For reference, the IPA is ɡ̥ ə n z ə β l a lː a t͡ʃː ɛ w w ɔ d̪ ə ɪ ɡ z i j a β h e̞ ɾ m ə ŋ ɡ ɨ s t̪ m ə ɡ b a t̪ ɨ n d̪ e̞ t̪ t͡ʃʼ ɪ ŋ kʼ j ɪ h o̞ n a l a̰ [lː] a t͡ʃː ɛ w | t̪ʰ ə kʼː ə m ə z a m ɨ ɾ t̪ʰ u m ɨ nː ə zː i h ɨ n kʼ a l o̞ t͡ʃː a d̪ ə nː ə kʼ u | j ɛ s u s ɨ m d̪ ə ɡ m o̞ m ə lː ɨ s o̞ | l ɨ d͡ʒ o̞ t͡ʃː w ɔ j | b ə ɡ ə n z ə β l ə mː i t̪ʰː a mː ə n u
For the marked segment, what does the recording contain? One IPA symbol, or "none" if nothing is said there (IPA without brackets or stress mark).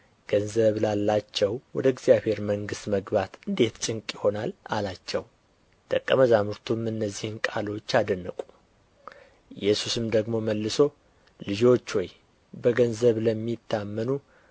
l